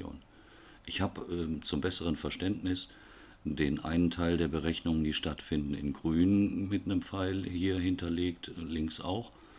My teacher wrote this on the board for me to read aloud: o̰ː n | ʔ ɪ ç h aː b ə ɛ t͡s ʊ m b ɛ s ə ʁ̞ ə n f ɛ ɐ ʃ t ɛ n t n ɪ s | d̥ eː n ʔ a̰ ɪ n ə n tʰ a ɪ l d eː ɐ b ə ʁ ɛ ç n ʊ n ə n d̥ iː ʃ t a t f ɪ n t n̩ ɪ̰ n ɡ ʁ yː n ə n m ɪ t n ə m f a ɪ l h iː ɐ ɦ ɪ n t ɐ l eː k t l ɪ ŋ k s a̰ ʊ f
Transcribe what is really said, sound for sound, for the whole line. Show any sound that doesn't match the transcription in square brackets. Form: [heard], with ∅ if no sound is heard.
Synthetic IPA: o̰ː n | ʔ ɪ ç h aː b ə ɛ t͡s ʊ m b ɛ s ə ʁ̞ ə n f ɛ ɐ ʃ t ɛ n t n ɪ s | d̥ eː n ʔ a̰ ɪ n ə n tʰ a ɪ l d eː ɐ b ə ʁ ɛ ç n ʊ [ŋ] ə n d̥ iː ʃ t a t f ɪ n [d] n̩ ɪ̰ n ɡ ʁ yː n ə n m ɪ t n ə m f a ɪ l h iː ɐ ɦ ɪ n t ɐ l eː k t l ɪ ŋ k s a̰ ʊ [x]

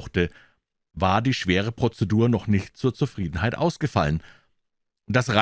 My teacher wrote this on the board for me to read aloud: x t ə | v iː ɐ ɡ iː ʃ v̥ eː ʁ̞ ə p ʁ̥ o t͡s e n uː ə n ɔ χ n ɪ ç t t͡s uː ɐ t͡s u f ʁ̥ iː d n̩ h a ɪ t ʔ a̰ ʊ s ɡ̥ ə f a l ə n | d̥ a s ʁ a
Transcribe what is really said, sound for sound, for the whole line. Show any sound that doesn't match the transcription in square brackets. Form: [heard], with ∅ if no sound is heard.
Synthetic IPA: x t ə | v [aː] ɐ [d] iː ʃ v̥ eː ʁ̞ ə p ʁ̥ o t͡s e [d] uː [ɐ] n ɔ χ n ɪ ç t t͡s uː ɐ t͡s u f ʁ̥ iː d n̩ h a ɪ t ʔ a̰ ʊ s ɡ̥ ə f a l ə n | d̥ a s ʁ a

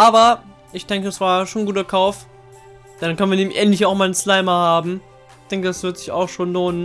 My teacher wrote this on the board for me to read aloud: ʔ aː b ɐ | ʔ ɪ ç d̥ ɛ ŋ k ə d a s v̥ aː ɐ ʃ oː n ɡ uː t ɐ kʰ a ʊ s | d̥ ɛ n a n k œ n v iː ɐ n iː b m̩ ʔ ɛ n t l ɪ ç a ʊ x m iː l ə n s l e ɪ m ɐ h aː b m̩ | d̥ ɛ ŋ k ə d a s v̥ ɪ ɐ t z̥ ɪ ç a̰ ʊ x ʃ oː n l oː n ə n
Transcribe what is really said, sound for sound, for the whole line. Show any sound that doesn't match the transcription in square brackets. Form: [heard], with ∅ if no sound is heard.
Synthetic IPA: ʔ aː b ɐ | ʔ ɪ ç d̥ ɛ ŋ k ə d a s v̥ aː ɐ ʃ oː n ɡ uː t ɐ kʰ a ʊ [f] | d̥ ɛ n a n k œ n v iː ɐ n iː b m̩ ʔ ɛ n t l ɪ ç a ʊ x m [aː] l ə n s l [a] ɪ m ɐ h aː b m̩ | d̥ ɛ ŋ k ə d a s v̥ ɪ ɐ t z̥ ɪ ç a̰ ʊ x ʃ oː n l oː n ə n

